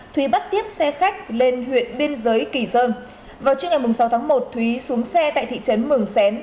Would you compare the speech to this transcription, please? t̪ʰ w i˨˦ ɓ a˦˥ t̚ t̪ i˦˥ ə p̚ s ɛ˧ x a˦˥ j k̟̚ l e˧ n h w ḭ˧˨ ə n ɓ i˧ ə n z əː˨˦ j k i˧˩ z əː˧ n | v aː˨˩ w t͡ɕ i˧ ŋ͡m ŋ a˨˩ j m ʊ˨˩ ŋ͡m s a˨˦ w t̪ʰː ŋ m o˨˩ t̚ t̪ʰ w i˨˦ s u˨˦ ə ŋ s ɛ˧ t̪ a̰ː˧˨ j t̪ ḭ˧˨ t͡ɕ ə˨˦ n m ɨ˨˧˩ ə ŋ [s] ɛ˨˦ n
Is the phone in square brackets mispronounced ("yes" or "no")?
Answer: no